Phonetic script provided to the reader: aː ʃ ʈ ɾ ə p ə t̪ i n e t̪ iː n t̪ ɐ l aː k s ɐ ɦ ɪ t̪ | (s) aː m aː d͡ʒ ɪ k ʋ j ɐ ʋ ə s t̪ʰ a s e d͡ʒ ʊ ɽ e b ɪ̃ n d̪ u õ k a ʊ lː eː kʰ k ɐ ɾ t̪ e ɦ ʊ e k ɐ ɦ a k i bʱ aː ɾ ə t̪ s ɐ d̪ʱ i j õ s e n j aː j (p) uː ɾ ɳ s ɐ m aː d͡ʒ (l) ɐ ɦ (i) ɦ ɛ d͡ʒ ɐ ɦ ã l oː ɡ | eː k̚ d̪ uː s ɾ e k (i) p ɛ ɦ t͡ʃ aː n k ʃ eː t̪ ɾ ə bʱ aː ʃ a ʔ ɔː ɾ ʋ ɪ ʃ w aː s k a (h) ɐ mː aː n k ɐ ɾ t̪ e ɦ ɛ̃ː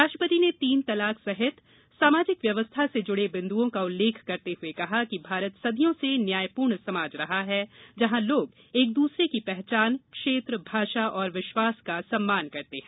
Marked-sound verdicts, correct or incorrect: correct, correct, incorrect: ɾ, incorrect: a, correct, incorrect: s

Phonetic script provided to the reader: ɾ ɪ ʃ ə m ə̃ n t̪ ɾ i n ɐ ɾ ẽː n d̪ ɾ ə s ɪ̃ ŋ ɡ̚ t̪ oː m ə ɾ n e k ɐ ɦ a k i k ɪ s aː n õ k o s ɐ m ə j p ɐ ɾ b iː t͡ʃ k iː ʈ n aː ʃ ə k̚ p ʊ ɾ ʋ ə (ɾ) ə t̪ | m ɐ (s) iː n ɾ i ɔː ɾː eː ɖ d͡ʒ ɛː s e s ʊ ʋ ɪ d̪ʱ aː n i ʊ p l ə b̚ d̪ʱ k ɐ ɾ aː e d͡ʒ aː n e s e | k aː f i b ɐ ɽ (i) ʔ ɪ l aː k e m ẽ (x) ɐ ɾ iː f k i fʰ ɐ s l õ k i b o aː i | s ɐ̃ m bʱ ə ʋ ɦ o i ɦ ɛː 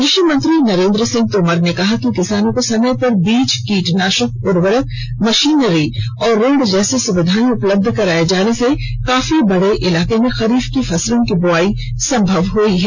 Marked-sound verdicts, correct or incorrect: correct, incorrect: ʃ, incorrect: e, correct

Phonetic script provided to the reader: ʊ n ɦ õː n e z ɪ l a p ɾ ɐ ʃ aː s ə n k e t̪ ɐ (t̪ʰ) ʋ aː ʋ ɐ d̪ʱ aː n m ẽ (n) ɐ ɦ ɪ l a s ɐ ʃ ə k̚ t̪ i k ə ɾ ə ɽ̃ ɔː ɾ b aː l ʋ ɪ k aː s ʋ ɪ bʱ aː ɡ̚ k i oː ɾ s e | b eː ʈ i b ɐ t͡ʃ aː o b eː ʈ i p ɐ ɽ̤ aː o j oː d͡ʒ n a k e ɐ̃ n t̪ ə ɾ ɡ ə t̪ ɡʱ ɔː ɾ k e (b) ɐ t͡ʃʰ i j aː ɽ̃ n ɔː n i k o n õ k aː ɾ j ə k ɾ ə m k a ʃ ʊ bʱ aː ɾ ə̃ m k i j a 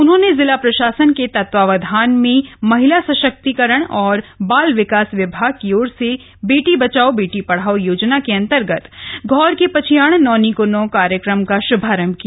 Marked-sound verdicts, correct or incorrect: incorrect: t̪, incorrect: m, incorrect: p

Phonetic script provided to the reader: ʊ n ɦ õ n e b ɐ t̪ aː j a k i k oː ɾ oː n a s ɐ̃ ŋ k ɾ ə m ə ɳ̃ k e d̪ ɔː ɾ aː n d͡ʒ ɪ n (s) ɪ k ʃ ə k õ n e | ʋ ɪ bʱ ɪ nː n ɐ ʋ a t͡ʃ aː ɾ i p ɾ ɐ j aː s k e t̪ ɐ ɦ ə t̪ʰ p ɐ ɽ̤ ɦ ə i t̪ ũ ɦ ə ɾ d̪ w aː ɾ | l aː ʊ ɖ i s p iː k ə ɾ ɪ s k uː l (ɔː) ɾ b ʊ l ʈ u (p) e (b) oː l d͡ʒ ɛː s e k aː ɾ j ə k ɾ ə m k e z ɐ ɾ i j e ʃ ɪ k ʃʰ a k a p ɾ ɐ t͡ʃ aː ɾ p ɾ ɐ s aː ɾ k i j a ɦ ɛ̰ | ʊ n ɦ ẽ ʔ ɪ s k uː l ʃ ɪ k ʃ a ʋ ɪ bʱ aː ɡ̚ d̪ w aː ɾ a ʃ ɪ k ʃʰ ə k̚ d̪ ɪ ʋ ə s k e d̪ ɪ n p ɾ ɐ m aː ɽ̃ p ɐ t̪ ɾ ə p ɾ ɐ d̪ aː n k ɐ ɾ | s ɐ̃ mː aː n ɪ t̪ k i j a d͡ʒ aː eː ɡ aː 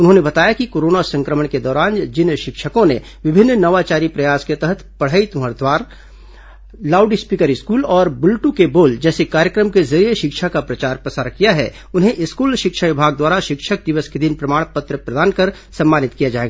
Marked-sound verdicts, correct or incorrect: incorrect: ʃ, correct, incorrect: k, correct

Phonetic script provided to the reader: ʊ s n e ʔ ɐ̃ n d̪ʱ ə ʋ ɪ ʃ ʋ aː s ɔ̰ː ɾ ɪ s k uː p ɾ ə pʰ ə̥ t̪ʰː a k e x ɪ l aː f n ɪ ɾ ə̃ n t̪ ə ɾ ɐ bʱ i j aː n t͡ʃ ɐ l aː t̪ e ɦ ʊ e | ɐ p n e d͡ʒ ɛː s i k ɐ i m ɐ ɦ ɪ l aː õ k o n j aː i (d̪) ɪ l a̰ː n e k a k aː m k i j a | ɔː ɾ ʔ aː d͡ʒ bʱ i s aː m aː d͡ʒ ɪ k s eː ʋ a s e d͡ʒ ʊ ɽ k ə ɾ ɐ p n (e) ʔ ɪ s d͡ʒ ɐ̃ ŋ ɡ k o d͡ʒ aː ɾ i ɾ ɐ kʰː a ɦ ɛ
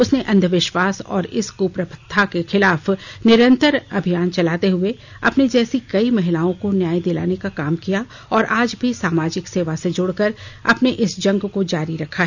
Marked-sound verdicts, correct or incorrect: correct, correct

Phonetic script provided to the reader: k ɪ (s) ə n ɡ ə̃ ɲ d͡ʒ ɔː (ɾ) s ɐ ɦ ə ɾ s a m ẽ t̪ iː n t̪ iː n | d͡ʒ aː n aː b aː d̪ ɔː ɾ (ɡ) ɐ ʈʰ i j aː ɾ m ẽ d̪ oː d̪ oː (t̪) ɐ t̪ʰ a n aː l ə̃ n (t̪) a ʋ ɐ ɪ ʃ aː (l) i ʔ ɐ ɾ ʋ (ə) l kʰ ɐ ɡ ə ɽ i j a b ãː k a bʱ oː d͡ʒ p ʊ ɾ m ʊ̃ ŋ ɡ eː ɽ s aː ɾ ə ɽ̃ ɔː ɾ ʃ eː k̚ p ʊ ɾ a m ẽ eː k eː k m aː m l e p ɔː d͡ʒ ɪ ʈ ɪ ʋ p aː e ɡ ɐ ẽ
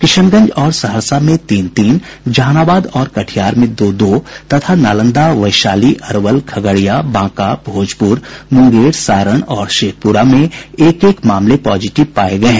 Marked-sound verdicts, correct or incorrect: incorrect: ʃ, correct, incorrect: k, correct, incorrect: d̪, correct, correct

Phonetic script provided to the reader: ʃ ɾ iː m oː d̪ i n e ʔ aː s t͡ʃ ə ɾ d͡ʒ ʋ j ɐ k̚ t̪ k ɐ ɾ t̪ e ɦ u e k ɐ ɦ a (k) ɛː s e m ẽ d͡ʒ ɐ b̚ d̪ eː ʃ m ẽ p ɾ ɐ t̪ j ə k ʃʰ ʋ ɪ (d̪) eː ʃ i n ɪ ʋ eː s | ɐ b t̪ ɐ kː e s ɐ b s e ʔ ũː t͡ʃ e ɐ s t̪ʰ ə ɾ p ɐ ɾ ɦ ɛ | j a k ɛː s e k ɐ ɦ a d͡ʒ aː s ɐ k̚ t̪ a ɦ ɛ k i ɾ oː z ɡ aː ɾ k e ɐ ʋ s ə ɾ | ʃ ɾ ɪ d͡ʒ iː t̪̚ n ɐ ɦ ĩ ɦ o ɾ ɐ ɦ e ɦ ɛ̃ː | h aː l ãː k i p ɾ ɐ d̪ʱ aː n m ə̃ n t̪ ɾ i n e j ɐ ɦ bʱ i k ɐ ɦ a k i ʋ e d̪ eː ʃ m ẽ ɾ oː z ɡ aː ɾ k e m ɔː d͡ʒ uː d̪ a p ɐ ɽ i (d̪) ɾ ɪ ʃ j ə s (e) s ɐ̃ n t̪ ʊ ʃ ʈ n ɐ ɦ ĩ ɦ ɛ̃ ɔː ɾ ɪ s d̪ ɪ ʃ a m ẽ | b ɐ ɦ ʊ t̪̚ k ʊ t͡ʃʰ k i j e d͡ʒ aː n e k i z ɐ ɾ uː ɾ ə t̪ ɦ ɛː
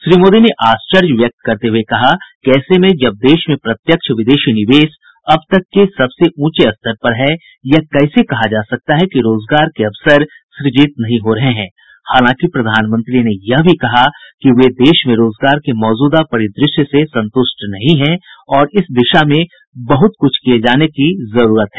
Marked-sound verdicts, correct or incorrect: correct, correct, correct, correct

